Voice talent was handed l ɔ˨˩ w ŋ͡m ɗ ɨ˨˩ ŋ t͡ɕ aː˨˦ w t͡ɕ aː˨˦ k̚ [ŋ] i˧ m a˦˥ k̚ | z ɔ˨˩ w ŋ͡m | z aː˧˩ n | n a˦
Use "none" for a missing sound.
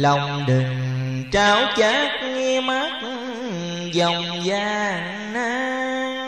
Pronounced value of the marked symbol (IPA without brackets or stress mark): ŋ